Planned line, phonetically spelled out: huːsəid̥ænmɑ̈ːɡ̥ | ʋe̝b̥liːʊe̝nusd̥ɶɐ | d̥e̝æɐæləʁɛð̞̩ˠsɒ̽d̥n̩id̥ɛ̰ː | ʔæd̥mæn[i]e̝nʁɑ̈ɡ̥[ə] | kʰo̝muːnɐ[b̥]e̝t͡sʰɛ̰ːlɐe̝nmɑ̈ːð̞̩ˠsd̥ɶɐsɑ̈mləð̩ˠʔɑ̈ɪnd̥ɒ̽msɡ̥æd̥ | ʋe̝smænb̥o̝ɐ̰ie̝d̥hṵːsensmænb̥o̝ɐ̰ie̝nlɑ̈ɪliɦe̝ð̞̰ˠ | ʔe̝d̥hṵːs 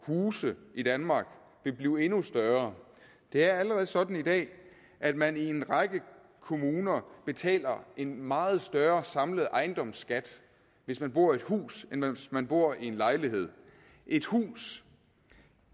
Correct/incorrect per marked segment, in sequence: correct, correct, correct

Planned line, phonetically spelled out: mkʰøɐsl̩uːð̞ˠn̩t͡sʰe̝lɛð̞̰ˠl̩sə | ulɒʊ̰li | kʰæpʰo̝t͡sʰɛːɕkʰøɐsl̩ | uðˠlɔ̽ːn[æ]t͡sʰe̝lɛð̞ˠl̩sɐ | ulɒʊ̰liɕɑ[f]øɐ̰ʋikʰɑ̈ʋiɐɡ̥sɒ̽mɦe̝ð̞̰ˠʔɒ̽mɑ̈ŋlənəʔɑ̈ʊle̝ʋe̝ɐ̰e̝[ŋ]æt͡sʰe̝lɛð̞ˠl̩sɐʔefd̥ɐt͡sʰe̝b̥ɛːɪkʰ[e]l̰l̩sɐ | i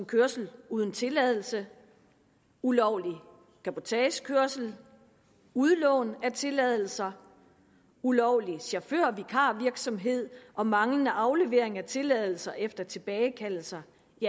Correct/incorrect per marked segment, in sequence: correct, correct, correct, incorrect: æ

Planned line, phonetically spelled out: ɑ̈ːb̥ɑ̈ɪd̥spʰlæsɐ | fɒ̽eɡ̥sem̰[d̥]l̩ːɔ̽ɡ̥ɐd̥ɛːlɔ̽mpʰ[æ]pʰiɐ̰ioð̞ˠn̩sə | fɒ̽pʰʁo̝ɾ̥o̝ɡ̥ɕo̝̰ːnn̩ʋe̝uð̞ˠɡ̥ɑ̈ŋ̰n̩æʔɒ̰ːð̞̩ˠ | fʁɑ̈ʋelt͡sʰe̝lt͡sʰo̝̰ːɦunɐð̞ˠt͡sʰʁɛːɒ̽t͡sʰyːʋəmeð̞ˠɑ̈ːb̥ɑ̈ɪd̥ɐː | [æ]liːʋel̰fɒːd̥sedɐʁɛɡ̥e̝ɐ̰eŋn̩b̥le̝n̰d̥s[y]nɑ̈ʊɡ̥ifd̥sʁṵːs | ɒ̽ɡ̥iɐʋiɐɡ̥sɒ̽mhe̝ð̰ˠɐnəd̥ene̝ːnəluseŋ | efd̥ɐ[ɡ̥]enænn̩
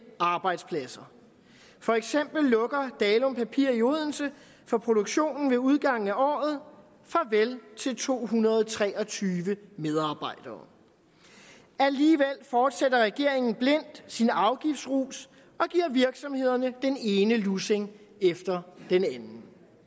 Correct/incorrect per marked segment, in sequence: incorrect: b̥, correct, correct, incorrect: i, incorrect: d̥

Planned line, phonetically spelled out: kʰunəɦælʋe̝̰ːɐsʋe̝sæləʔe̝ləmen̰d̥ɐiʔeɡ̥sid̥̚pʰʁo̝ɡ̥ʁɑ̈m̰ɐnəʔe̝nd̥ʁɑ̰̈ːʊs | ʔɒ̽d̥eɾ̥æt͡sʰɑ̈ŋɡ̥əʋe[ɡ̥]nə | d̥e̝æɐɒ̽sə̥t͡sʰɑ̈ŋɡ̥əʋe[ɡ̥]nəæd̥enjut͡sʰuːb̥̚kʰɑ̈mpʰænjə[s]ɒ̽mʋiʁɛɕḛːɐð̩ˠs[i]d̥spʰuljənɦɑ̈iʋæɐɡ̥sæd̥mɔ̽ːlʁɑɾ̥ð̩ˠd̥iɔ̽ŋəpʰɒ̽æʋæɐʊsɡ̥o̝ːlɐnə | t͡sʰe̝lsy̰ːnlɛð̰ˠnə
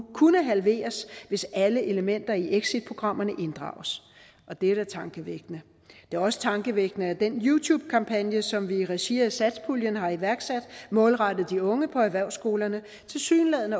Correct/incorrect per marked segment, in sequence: correct, correct, correct, incorrect: æ

